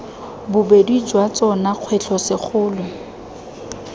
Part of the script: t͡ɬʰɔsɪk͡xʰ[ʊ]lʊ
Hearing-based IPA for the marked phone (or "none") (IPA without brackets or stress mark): ʊː